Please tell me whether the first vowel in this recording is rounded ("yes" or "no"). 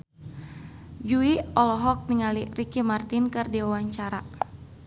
yes